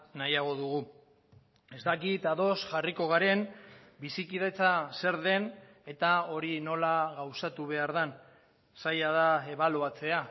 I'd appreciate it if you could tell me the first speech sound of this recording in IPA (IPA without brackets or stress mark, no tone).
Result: n